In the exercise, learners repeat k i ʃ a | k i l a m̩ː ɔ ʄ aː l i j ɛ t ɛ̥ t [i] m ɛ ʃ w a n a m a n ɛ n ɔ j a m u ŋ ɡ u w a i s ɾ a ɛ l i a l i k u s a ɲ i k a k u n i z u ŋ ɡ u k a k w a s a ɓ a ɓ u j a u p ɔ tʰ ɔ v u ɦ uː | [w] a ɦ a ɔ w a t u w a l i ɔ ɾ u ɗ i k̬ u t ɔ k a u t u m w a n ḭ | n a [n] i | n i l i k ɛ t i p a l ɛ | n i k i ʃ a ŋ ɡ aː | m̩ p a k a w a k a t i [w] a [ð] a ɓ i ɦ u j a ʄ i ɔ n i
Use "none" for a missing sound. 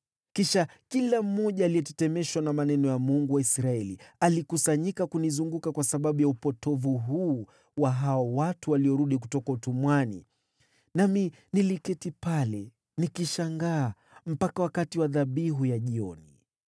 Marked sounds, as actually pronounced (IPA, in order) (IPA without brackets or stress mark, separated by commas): ɛ, w, m, w, ð